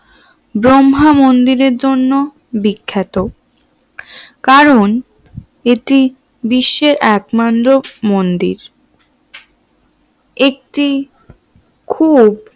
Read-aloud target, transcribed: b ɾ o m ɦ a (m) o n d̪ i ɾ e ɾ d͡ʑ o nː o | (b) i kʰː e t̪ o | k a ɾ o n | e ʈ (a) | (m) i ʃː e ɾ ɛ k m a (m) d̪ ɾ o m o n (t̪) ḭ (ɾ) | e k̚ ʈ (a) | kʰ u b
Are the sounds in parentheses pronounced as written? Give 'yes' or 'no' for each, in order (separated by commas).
yes, yes, no, no, no, no, yes, no